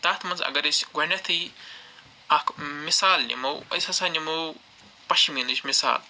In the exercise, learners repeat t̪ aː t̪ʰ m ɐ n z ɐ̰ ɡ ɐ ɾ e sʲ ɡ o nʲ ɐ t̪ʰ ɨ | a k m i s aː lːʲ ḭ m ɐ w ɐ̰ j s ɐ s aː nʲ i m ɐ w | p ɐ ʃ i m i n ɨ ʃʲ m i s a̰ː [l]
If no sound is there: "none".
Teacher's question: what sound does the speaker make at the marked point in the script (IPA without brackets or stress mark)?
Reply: l